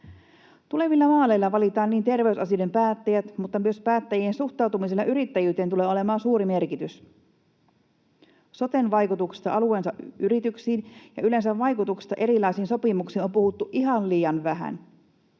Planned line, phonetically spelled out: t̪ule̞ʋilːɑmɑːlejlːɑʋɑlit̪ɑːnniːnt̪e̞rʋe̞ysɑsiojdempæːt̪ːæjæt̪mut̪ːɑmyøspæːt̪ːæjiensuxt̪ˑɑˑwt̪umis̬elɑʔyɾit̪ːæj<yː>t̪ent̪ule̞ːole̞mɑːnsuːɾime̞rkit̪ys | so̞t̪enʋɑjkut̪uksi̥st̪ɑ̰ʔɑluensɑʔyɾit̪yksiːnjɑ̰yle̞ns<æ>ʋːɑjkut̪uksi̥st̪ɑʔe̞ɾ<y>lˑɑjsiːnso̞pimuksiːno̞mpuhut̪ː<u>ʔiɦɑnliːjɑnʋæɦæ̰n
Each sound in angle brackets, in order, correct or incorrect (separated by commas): correct, correct, incorrect, correct